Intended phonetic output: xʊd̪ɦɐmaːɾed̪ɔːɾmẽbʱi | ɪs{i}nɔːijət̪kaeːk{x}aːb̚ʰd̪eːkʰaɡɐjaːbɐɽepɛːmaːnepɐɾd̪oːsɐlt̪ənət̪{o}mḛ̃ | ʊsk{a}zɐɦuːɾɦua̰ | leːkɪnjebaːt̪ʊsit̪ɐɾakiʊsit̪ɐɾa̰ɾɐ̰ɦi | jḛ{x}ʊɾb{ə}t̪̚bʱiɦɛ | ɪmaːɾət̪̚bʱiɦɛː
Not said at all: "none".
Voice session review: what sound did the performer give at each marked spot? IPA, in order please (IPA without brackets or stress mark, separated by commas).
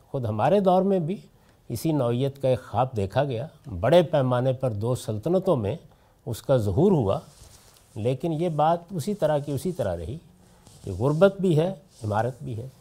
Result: i, x, õ, a, ɣ, ə